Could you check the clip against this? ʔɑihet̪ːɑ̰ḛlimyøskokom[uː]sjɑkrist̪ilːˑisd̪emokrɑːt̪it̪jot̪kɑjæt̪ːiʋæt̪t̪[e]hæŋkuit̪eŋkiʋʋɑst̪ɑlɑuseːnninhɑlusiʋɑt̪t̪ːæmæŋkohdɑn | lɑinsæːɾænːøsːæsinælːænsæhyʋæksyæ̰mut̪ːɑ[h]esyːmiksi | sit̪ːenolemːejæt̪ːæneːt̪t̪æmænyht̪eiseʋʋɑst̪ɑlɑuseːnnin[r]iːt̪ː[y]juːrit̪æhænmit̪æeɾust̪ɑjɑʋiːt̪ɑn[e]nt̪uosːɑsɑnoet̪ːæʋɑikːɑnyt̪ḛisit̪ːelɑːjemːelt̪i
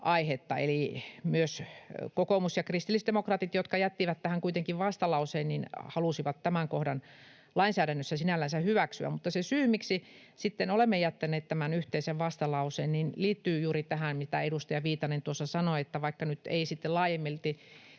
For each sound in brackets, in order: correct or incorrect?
incorrect: u, incorrect: æ, incorrect: s, incorrect: l, incorrect: yː, correct

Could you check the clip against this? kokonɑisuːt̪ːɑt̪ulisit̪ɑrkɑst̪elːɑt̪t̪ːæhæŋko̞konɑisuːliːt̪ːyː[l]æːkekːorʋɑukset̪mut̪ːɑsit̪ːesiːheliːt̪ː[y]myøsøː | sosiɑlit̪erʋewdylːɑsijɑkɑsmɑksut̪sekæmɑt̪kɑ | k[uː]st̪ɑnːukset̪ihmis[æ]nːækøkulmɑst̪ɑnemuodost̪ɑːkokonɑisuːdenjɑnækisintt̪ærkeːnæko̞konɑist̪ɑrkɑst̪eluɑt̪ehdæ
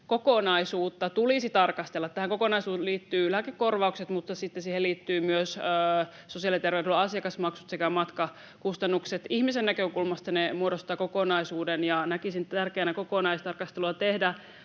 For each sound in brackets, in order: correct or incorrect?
correct, incorrect: yː, incorrect: u, incorrect: e

